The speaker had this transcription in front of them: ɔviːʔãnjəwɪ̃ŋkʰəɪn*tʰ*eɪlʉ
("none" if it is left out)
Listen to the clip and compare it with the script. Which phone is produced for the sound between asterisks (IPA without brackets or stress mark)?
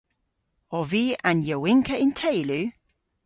tʰ